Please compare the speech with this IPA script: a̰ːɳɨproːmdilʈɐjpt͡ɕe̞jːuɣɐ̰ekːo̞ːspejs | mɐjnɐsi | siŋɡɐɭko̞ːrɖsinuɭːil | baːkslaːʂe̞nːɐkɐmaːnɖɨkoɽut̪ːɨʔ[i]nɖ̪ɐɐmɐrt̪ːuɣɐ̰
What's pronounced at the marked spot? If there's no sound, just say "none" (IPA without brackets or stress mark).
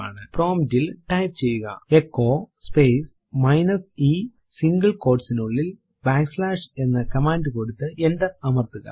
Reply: e